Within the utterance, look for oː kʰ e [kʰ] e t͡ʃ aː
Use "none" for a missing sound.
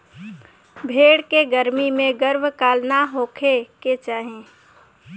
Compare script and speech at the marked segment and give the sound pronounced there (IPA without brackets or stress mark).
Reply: k